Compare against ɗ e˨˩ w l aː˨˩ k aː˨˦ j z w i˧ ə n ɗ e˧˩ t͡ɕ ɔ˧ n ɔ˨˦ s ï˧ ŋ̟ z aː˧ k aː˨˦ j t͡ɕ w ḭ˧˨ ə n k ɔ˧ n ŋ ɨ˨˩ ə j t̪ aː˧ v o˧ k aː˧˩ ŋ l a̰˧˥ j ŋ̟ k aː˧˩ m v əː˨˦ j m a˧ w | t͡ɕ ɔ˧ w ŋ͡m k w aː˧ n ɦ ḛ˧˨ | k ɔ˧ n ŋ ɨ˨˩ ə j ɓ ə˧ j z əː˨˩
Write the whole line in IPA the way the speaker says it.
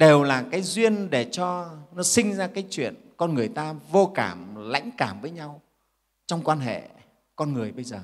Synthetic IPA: ɗ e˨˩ w l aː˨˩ k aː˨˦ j z w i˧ ə n ɗ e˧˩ t͡ɕ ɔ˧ n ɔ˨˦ s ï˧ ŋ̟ z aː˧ k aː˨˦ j t͡ɕ w ḭ˧˨ ə n k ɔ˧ n ŋ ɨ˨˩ ə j t̪ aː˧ v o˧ k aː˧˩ m l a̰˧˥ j ŋ̟ k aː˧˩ m v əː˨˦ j ɲ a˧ w | t͡ɕ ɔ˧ w ŋ͡m k w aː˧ n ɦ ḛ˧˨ | k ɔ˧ n ŋ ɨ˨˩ ə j ɓ ə˧ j z əː˨˩